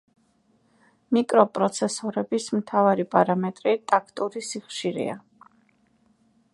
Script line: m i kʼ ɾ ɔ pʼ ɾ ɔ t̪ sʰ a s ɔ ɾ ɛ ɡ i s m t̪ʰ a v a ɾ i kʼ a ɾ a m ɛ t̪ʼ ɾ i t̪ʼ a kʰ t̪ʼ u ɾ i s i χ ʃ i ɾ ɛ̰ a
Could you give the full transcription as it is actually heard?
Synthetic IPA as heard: m i kʼ ɾ ɔ pʼ ɾ ɔ t̪ sʰ ɛ s ɔ ɾ ɛ b i s m t̪ʰ a v a ɾ i pʼ a ɾ a m ɛ t̪ʼ ɾ i t̪ʼ a kʰ t̪ʼ u ɾ i s i χ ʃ i ɾ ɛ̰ a